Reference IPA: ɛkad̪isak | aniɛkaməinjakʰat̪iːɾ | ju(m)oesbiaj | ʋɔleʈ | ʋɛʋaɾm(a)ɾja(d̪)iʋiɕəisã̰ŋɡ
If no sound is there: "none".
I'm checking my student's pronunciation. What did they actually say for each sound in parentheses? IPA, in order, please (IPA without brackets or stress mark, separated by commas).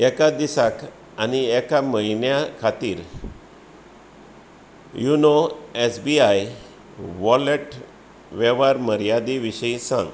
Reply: n, ə, d̪